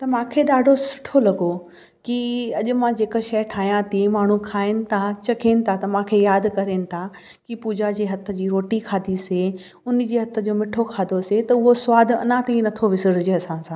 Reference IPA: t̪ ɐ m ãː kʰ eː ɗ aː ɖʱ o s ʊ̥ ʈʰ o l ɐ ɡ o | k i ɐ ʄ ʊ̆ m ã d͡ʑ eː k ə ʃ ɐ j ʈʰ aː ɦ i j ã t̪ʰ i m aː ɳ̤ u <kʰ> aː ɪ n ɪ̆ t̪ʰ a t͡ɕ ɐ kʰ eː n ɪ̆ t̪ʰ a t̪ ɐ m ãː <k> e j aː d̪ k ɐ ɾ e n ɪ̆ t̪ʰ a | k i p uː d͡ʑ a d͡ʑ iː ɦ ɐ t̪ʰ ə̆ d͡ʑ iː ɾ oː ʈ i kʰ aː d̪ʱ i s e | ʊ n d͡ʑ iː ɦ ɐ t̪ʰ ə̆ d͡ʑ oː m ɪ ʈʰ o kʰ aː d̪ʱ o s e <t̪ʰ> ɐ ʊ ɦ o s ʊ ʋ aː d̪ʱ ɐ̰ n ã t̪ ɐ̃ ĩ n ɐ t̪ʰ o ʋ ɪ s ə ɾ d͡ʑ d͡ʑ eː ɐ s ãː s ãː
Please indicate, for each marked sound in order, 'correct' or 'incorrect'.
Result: correct, incorrect, incorrect

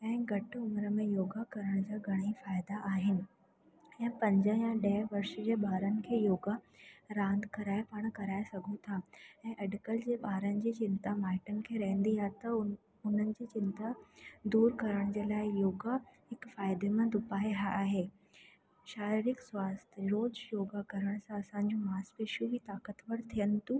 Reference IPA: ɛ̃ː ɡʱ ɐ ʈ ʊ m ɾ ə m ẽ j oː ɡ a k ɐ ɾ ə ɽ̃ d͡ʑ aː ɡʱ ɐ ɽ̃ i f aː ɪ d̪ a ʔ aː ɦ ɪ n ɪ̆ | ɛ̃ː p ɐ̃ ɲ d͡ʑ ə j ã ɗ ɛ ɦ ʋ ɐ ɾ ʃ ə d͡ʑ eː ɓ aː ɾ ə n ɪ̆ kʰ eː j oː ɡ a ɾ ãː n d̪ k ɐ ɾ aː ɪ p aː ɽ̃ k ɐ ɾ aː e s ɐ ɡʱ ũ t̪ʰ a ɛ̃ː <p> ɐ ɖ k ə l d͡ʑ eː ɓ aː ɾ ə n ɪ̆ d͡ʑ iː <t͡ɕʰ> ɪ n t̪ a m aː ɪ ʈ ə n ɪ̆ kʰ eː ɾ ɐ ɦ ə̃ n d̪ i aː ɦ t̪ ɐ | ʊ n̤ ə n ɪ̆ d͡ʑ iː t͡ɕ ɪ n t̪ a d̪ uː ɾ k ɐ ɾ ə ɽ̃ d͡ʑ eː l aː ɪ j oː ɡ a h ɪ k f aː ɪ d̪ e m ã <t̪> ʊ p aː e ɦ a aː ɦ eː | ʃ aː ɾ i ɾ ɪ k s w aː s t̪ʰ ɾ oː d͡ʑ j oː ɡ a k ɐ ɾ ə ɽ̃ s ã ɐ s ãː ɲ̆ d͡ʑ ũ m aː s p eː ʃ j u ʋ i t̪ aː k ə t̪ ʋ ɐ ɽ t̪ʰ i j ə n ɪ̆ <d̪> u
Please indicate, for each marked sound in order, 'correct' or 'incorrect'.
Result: incorrect, incorrect, incorrect, incorrect

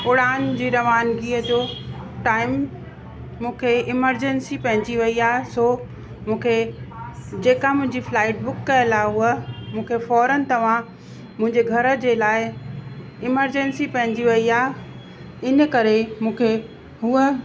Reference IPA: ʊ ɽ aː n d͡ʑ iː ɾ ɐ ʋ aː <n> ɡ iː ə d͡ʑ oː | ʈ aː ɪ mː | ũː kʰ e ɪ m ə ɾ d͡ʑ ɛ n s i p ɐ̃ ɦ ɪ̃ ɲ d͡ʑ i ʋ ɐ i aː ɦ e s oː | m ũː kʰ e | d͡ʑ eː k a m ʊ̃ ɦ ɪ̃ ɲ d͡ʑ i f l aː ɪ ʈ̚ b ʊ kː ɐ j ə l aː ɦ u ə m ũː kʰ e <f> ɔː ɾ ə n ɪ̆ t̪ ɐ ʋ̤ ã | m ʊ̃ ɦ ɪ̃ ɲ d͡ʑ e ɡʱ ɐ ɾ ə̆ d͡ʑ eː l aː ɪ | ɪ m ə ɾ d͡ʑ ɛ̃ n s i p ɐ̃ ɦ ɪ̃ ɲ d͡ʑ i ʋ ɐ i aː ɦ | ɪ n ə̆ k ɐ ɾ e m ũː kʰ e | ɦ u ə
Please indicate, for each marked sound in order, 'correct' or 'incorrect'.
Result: correct, correct

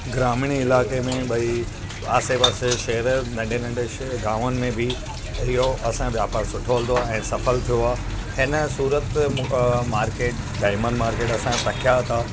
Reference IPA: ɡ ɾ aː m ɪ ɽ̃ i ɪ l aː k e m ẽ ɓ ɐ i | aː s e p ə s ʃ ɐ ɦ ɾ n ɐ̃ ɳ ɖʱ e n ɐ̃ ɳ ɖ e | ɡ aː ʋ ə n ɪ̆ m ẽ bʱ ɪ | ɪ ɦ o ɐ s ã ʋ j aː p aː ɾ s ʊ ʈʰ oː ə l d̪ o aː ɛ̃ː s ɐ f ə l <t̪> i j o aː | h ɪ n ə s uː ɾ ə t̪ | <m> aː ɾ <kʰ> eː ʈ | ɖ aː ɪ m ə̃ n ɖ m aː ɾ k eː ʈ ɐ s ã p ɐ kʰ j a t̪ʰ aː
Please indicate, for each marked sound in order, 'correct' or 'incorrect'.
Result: incorrect, correct, incorrect

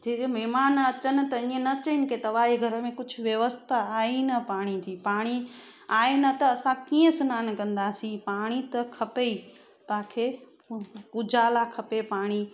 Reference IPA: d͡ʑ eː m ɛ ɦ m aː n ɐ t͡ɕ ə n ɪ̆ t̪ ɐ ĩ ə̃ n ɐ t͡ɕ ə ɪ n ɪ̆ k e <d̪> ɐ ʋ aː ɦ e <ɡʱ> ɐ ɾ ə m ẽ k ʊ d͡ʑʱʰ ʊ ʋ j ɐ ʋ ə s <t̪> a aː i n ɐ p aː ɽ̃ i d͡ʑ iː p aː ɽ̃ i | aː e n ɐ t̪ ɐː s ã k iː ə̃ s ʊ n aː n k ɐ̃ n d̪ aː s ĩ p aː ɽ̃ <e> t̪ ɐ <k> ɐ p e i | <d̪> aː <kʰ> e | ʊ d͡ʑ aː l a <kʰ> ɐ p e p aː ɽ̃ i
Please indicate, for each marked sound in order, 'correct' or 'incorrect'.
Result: incorrect, correct, incorrect, incorrect, incorrect, incorrect, correct, correct

